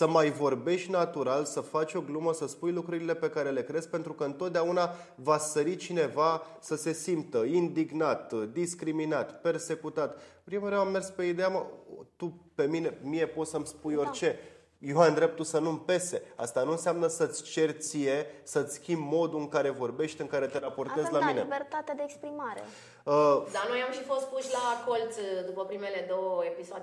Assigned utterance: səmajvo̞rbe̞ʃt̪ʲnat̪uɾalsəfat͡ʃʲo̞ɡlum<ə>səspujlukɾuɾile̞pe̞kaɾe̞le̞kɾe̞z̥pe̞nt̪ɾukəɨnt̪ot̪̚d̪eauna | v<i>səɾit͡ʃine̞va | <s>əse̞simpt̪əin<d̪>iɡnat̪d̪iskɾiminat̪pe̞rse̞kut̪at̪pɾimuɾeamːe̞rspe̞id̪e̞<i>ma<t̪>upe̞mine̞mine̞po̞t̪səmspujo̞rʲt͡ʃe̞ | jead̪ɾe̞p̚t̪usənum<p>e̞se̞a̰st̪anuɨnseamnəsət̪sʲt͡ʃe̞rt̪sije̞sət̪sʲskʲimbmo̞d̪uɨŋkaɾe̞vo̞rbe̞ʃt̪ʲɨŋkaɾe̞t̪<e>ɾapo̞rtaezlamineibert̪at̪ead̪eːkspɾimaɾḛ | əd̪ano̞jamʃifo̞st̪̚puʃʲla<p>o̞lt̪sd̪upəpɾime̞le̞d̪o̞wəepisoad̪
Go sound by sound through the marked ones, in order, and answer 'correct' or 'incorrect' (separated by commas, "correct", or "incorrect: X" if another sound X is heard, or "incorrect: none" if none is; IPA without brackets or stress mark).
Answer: correct, incorrect: a, correct, correct, incorrect: a, correct, correct, correct, incorrect: k